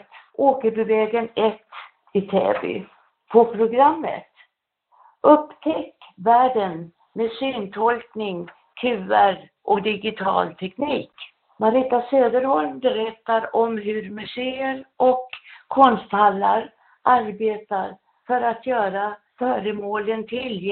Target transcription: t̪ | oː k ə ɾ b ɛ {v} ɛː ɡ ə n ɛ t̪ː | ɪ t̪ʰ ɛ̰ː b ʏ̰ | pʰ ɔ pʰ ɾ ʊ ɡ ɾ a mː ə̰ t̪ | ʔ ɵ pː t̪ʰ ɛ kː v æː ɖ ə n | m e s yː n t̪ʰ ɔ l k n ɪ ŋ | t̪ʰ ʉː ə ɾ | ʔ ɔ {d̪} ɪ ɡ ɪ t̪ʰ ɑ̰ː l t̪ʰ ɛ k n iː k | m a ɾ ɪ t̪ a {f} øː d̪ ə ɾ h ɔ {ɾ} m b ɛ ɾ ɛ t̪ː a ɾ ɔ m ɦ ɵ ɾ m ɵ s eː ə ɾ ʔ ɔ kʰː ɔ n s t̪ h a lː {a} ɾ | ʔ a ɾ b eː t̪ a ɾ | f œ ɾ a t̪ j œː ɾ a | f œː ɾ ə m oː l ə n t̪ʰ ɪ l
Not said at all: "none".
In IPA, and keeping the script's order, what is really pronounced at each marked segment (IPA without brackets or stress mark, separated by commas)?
v, d̪, s, l, a